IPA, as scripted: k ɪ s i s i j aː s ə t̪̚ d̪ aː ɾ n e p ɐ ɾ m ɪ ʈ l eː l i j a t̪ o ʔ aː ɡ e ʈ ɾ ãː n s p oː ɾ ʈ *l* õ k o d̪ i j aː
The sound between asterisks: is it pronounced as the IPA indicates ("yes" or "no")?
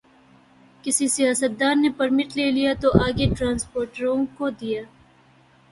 no